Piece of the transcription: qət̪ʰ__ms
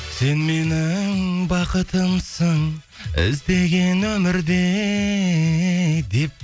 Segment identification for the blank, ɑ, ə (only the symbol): ə